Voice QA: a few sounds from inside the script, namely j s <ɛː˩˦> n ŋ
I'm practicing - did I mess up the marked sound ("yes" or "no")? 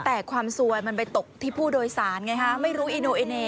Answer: yes